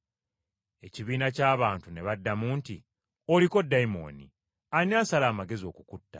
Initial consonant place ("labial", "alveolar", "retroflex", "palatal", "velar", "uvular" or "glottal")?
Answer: palatal